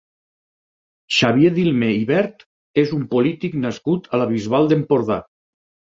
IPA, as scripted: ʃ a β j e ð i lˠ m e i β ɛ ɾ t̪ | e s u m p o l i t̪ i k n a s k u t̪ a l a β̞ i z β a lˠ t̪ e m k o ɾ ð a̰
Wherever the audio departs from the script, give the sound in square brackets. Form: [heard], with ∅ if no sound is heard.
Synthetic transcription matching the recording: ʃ a β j e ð i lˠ m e i β ɛ ɾ t̪ | e [z] u m p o l i t̪ i k n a s k u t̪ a l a β̞ i z β a lˠ [d̪] e m [p] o ɾ ð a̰